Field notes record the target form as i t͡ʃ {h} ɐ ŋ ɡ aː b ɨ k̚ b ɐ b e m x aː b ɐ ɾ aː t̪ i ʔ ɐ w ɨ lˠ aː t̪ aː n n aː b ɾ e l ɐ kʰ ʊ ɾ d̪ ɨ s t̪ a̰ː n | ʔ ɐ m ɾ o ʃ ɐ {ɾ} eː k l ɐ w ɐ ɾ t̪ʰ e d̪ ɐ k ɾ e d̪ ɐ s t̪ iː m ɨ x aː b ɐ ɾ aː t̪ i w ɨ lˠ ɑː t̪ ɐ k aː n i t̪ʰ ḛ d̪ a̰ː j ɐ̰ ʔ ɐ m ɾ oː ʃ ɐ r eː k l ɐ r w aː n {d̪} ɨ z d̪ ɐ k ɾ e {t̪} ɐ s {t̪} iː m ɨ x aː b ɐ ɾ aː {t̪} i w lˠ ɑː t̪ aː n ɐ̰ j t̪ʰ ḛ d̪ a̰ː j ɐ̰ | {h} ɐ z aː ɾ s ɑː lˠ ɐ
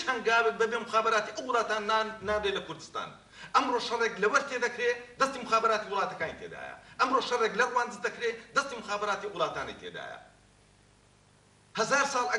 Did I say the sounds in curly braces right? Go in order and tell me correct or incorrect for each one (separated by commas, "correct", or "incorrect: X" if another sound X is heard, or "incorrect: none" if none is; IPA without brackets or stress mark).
correct, incorrect: r, correct, incorrect: d̪, correct, correct, correct